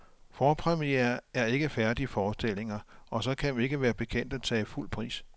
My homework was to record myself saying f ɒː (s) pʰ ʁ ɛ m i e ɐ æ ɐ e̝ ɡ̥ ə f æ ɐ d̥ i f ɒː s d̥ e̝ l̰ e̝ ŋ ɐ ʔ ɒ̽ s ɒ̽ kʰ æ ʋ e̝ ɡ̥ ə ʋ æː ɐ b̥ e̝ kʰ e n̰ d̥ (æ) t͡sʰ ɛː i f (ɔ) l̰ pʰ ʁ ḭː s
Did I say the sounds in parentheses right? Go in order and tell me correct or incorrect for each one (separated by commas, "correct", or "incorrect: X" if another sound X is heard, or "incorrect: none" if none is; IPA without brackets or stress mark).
incorrect: none, correct, incorrect: u